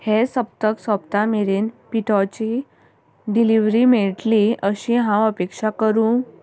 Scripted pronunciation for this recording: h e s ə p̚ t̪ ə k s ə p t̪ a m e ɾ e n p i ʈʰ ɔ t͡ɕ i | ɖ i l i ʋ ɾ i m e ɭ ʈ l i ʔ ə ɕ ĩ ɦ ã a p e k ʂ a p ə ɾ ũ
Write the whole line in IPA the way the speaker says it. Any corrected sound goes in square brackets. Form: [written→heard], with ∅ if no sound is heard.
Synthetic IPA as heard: h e s ə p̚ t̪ ə k s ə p t̪ a m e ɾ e n p i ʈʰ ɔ t͡ɕ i | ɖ i l i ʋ ɾ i m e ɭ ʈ l i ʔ ə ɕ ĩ ɦ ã [a→ə] p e k ʂ a [p→k] ə ɾ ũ